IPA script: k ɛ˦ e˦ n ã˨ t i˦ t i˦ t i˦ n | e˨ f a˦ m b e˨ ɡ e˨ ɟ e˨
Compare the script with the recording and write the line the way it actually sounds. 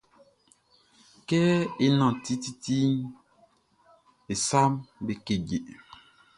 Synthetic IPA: k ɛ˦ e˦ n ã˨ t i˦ t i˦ t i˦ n | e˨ s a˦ m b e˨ k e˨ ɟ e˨

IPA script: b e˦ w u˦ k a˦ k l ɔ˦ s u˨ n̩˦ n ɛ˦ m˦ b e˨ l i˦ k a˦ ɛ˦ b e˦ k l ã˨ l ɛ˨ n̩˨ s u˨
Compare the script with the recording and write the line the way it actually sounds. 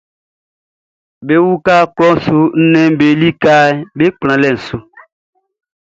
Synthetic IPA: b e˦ w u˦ k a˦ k l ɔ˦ s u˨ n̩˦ n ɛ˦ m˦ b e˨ l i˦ k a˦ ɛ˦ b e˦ k͡p l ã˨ l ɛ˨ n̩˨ s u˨

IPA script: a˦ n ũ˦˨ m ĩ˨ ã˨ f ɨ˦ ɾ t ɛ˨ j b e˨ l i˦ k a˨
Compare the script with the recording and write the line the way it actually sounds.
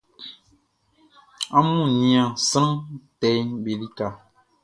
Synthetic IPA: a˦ m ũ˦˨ n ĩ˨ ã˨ s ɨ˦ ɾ t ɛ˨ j b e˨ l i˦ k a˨

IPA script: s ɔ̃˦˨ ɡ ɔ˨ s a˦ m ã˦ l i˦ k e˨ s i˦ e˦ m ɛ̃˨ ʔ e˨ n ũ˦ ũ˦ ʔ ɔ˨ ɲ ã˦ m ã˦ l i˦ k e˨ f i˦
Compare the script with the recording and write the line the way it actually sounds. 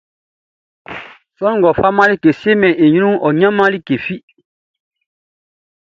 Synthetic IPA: s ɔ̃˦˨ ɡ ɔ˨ f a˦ m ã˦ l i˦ k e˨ s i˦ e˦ m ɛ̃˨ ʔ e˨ ɲ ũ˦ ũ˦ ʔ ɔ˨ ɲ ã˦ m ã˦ l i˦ k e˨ f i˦

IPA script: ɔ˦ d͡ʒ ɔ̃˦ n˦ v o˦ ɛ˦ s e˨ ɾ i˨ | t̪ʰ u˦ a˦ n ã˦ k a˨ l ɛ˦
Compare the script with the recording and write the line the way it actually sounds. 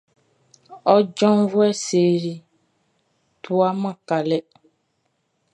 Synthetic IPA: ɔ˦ d͡ʒ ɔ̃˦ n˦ v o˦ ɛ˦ s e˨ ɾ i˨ | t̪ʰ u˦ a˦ m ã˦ k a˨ l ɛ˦

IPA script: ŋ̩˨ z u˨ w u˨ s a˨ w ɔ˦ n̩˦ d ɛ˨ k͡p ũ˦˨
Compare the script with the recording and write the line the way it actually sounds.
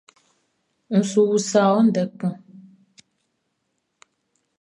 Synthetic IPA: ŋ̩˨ s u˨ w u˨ s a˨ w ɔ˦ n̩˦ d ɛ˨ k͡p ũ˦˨

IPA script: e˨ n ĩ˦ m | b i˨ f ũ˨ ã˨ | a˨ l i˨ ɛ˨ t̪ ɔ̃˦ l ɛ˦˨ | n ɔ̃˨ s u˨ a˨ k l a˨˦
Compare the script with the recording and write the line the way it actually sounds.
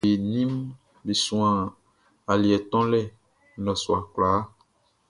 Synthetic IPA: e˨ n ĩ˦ m | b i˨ s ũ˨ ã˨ | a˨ l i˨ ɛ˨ t̪ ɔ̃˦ l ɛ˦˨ | n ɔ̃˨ s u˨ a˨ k l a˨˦

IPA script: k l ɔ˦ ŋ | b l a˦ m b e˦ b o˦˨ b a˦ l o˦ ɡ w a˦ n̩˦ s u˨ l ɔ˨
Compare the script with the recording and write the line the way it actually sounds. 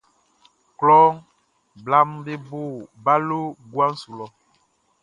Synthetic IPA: k l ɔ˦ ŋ | b l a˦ m b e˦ b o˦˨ b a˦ l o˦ ɡ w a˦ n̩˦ s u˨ l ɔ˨

